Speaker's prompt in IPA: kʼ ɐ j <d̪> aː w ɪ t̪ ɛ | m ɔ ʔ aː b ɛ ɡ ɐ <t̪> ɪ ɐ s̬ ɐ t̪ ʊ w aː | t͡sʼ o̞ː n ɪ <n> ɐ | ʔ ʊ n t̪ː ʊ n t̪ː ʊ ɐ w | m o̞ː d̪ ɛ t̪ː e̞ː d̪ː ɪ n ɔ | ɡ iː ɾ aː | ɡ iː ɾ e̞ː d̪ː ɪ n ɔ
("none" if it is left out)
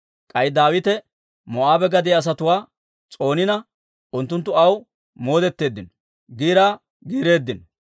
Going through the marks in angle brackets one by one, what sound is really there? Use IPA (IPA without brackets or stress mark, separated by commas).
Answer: d̪, d̪, n